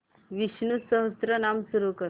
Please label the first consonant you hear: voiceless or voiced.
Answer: voiced